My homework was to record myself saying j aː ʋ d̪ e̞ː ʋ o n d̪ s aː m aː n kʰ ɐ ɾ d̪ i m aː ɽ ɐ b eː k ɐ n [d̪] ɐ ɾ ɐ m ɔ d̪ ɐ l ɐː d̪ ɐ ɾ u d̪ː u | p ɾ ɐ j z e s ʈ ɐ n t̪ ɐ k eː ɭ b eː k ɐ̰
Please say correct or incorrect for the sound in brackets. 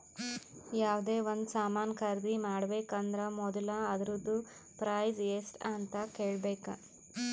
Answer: correct